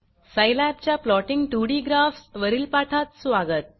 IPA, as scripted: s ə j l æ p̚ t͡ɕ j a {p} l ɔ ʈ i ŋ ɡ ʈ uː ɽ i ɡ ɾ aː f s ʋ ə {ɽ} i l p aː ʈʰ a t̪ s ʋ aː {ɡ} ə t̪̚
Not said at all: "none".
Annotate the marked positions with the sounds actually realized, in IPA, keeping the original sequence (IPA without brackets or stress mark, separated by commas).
p, ɾ, ɡ